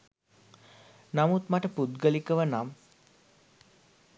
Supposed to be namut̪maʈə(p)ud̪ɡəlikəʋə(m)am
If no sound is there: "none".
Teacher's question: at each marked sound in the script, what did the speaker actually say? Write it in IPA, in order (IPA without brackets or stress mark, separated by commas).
p, n